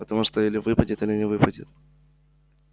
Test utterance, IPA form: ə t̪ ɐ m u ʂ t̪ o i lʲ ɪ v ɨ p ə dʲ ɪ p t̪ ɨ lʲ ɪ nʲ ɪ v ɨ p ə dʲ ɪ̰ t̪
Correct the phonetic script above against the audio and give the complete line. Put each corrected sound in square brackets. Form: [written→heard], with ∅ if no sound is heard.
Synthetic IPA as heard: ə t̪ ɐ m u ʂ t̪ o i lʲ ɪ v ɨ p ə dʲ ɪ [p→∅] t̪ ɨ lʲ ɪ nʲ ɪ v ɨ p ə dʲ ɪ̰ t̪

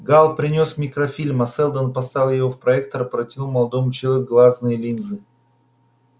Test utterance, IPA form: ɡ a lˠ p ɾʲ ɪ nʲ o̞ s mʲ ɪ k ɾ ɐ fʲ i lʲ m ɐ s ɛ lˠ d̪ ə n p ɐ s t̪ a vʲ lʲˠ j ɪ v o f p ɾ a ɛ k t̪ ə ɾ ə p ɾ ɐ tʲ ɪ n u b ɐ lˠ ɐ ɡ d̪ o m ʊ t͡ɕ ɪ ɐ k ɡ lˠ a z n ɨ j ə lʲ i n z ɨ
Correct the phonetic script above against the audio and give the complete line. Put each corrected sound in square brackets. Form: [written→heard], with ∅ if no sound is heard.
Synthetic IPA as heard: ɡ a lˠ p ɾʲ ɪ nʲ o̞ s mʲ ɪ k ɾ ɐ fʲ i lʲ m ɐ s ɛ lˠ d̪ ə n p ɐ s t̪ a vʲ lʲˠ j ɪ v o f p ɾ [a→ɐ] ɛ k t̪ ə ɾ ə p ɾ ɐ tʲ ɪ n u [b→m] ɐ lˠ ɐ [ɡ→∅] d̪ o m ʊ t͡ɕ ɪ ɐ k ɡ lˠ a z n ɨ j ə lʲ i n z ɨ

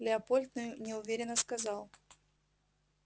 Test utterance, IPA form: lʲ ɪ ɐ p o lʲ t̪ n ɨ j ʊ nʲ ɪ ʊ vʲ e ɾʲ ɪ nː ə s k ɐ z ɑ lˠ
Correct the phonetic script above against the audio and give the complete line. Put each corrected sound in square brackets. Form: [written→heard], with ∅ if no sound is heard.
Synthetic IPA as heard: lʲ ɪ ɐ p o lʲ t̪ n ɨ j ʊ nʲ ɪ ʊ vʲ e ɾʲ ɪ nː ə s k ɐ z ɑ lˠ

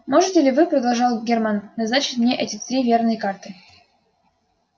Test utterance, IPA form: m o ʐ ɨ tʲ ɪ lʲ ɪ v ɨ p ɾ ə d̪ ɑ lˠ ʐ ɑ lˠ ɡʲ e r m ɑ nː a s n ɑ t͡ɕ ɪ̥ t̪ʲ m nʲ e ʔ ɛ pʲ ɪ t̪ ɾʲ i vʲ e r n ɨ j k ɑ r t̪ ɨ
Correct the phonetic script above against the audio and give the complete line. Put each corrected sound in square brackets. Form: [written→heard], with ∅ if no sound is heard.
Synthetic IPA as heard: m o ʐ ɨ tʲ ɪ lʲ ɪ v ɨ p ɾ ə d̪ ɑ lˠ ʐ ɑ lˠ ɡʲ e r m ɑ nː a [s→z] n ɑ t͡ɕ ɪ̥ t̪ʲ m nʲ e ʔ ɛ [pʲ→tʲ] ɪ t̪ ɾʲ i vʲ e r n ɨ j k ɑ r t̪ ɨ

